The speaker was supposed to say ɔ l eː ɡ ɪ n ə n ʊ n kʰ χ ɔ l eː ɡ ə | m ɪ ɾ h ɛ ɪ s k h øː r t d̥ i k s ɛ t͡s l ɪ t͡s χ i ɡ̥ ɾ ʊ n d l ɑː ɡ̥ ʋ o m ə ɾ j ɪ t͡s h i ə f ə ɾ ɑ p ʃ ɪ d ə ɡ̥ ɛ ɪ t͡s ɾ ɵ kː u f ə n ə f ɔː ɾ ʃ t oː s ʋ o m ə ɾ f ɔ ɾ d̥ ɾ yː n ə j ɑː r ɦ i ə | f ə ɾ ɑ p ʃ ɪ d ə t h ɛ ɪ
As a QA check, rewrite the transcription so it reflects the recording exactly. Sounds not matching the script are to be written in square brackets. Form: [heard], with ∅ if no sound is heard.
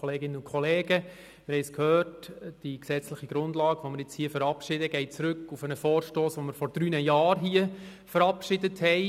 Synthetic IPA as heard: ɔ l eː ɡ ɪ n ə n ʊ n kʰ χ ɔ l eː ɡ ə | m ɪ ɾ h ɛ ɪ s k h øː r t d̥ i k s ɛ t͡s l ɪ [∅] χ i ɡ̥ ɾ ʊ n d l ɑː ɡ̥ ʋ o m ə ɾ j ɪ t͡s h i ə f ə ɾ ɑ p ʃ ɪ d ə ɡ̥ ɛ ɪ t͡s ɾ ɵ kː u f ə n ə f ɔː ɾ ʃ t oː s ʋ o m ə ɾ f ɔ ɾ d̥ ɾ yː n ə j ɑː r ɦ i ə | f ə ɾ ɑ p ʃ ɪ d ə t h ɛ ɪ